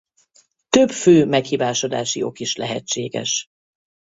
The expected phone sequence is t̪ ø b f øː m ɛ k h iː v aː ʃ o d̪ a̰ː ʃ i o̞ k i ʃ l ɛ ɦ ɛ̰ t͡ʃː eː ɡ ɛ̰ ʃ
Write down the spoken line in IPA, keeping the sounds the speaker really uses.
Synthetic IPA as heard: t̪ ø b f øː m ɛ k h iː v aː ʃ o d̪ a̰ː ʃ i o̞ k i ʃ l ɛ ɦ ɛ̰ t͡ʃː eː ɡ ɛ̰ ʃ